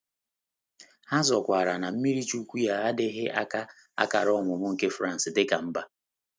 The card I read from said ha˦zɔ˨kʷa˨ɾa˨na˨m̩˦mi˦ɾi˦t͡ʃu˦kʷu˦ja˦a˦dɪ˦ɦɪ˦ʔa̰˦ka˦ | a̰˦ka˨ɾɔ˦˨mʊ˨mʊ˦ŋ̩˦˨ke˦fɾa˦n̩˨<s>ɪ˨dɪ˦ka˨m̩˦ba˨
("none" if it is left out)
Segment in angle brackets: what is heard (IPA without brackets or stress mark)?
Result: s